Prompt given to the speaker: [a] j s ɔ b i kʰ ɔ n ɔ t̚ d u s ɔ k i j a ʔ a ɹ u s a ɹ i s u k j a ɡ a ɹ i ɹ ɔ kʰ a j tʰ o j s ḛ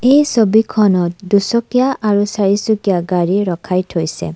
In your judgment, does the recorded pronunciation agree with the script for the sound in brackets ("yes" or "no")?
no